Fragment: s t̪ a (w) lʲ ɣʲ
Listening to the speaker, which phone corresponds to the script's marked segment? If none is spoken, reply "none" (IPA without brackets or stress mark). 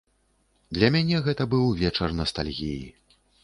none